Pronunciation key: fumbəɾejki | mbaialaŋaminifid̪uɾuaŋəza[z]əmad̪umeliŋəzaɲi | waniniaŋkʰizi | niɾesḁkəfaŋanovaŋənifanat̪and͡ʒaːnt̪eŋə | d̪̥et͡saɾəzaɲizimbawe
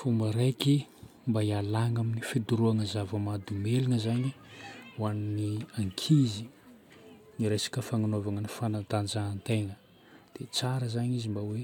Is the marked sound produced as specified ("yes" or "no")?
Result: no